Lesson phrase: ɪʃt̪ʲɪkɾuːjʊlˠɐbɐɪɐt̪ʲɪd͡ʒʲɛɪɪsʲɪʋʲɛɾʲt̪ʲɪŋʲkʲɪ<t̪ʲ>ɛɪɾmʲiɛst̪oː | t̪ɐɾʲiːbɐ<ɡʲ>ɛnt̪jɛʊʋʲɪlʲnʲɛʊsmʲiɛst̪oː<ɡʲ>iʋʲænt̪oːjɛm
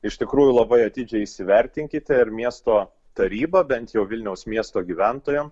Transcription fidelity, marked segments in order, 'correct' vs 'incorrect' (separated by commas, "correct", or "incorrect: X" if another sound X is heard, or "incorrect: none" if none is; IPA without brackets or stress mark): correct, incorrect: bʲ, correct